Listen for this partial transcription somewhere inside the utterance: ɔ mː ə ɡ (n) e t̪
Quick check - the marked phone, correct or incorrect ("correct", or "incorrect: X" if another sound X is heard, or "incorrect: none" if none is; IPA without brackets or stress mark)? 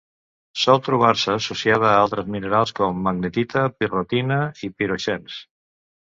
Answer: correct